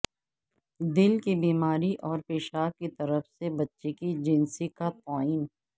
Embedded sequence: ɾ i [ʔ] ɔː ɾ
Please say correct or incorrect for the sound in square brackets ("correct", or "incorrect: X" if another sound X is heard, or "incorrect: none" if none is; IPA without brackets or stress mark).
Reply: correct